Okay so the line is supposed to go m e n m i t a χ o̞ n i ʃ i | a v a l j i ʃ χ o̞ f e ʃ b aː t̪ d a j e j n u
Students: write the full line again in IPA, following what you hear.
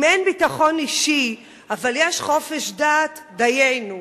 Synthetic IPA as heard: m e n b i t a χ o̞ n i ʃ i | a v a l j e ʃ χ o̞ f e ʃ d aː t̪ d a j e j n u